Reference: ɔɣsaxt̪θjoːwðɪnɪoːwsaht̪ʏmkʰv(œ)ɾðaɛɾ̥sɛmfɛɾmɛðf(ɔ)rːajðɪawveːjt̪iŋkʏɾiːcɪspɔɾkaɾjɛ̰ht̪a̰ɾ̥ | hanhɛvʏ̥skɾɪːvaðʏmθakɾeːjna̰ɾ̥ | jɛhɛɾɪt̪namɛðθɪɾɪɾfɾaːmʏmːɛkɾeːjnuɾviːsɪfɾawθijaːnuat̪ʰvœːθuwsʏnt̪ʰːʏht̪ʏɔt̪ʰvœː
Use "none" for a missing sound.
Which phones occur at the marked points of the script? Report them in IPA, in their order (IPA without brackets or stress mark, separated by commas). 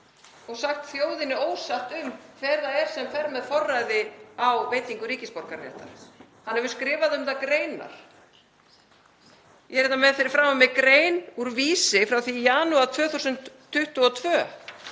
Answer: ɛ, ɔ